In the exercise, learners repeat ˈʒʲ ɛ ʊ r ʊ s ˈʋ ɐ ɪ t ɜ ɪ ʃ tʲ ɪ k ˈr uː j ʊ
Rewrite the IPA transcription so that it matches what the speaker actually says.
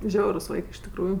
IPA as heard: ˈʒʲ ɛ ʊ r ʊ s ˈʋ ɐ ɪ k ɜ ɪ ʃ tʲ ɪ k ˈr uː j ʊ